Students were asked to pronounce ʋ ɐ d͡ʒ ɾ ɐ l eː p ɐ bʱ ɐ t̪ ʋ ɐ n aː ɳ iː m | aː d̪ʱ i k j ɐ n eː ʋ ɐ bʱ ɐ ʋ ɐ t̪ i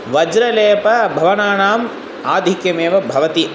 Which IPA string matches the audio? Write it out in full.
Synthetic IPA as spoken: ʋ ɐ d͡ʒ ɾ ɐ l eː p ɐ bʱ ɐ ʋ ɐ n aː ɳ aː m | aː d̪ʱ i k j ɐ m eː ʋ ɐ bʱ ɐ ʋ ɐ t̪ i